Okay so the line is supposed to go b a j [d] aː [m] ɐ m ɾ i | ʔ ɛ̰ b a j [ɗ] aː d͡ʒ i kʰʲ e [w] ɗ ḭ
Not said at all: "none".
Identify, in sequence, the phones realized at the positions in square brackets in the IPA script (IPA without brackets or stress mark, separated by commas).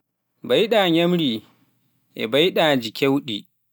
ɗ, ɲ, ɗ, w